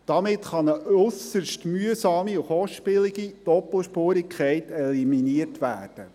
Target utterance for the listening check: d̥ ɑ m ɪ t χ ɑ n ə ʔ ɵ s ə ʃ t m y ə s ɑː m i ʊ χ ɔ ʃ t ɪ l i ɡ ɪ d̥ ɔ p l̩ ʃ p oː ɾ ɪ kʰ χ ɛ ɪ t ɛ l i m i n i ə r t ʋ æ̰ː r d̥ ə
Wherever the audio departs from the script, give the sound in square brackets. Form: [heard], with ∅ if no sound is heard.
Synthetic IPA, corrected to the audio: d̥ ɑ m ɪ t χ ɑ n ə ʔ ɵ s ə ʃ t m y ə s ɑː m i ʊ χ ɔ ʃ [p] ɪ l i ɡ [i] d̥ ɔ p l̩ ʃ p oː ɾ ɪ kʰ χ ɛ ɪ t ɛ l i m i n i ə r t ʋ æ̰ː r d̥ ə